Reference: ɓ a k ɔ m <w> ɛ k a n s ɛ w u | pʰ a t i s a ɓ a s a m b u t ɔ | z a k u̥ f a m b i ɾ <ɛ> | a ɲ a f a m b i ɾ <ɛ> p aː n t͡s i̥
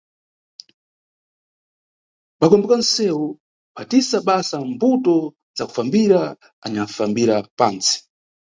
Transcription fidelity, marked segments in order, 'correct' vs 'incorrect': incorrect: b, incorrect: a, incorrect: a

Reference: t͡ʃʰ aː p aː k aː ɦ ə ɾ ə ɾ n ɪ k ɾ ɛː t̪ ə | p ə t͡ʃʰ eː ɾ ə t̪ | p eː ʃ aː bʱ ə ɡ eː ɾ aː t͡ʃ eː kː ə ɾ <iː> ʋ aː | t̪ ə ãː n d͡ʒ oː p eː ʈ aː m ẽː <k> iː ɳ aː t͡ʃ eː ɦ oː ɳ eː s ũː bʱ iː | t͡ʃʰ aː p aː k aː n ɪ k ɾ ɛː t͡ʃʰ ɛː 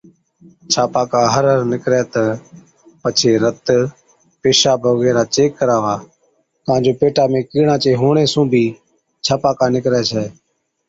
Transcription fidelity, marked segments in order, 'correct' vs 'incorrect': incorrect: aː, correct

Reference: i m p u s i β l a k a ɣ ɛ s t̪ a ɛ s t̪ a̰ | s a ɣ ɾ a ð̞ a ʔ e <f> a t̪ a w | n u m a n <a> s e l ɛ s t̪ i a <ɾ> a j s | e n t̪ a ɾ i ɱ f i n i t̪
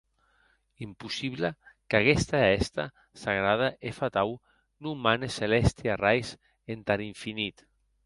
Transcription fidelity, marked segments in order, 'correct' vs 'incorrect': correct, incorrect: e, incorrect: r

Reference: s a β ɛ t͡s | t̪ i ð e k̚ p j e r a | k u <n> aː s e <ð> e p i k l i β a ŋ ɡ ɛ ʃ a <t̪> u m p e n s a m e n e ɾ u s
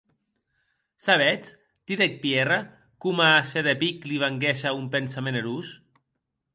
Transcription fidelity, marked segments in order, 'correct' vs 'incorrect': incorrect: m, correct, incorrect: none

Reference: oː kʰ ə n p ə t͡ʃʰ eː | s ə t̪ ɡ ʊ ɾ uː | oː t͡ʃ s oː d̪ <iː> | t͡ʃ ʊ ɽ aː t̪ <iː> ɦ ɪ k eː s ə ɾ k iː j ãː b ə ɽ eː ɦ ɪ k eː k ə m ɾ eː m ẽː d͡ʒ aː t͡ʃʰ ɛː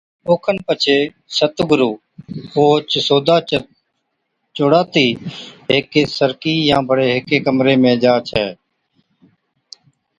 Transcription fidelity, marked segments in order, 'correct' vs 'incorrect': incorrect: aː, correct

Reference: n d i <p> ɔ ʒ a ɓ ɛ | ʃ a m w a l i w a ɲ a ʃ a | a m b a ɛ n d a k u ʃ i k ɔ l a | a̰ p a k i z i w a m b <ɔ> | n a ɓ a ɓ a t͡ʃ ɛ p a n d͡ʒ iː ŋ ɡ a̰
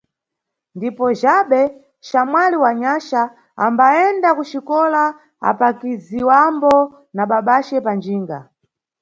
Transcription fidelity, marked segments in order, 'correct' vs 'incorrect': correct, correct

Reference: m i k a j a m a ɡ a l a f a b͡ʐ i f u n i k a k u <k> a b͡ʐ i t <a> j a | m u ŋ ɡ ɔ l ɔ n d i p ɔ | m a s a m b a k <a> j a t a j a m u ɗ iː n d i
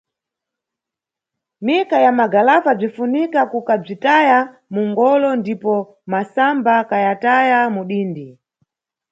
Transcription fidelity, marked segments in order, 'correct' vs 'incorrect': correct, correct, correct

